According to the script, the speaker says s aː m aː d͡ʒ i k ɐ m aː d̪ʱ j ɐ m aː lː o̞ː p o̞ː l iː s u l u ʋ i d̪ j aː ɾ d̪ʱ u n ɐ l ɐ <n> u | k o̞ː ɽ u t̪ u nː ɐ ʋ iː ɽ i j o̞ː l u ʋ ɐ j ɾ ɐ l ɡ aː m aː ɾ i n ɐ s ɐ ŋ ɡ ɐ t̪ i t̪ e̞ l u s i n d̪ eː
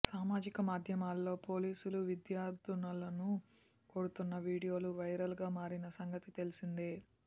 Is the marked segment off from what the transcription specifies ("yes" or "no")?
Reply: no